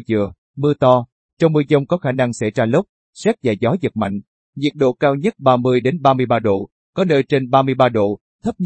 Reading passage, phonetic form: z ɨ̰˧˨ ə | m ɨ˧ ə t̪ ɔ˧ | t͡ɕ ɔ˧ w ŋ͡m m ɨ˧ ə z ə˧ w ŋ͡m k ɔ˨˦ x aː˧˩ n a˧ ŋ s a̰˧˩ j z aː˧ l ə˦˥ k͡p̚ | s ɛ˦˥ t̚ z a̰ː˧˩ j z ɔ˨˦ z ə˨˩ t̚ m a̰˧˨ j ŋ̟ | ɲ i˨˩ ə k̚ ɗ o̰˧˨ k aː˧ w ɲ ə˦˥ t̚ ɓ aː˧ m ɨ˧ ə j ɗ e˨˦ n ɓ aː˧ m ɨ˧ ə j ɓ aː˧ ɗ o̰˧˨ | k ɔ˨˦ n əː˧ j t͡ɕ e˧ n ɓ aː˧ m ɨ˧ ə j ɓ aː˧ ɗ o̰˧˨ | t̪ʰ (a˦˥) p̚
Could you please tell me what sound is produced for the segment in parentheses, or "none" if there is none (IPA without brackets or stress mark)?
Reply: ə˦˥